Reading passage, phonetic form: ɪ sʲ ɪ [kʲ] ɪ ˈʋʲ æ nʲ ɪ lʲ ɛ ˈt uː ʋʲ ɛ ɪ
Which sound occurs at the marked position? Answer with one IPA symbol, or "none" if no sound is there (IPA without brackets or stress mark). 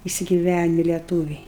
ɡʲ